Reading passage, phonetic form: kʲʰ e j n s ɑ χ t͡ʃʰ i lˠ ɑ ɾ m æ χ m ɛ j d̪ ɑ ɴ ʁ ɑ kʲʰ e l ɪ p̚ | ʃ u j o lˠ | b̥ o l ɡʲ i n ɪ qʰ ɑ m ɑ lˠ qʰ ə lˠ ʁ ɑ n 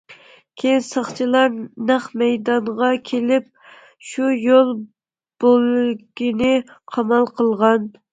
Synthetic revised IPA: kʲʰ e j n s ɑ χ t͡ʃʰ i lˠ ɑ ɾ n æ χ m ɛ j d̪ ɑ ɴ ʁ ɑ kʲʰ e l ɪ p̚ | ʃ u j o lˠ | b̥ o l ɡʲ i n ɪ qʰ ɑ m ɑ lˠ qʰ ə lˠ ʁ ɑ n